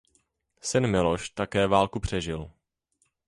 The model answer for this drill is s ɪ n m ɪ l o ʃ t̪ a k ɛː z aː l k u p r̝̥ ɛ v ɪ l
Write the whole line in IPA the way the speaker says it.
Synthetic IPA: s ɪ n m ɪ l o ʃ t̪ a k ɛː v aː l k u p r̝̥ ɛ ʒ ɪ l